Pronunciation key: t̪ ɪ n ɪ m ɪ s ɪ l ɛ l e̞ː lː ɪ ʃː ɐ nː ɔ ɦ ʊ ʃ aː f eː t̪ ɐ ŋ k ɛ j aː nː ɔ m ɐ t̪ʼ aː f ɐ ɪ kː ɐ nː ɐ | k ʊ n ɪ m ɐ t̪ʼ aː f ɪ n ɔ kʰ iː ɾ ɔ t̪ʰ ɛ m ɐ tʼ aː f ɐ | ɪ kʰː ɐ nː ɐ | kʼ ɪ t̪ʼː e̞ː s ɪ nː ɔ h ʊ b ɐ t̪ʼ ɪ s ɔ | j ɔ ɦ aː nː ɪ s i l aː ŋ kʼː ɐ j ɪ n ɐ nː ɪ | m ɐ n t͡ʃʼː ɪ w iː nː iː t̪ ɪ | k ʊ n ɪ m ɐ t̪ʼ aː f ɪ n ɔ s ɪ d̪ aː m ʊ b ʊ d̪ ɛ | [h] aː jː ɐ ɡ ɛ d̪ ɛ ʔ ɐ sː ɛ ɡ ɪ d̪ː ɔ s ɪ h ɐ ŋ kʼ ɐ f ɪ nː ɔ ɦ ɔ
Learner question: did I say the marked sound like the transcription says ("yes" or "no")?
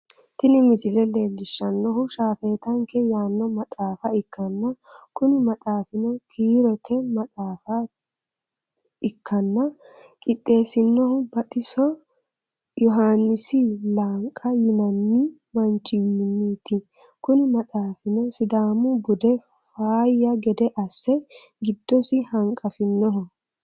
no